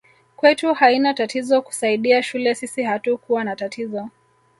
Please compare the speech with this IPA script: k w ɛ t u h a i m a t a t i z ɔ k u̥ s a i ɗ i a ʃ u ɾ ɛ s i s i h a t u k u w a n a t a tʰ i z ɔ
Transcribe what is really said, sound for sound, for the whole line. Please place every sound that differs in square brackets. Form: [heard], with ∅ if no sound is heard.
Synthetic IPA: k w ɛ t u h a i [n] a t a t i z ɔ k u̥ s a i ɗ i a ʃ u [l] ɛ s i s i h a t u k u w a n a t a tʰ i z ɔ